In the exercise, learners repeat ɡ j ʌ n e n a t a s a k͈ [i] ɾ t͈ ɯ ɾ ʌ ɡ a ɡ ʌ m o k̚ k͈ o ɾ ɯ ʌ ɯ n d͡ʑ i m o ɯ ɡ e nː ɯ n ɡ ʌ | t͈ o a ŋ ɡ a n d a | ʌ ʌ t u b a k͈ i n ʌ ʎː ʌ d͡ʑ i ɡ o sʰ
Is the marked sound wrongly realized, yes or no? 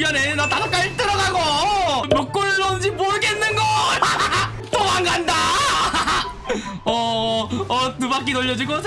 yes